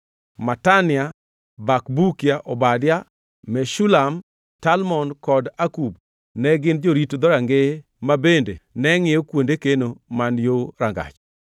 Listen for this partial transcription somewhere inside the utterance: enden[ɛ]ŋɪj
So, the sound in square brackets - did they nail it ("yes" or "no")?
yes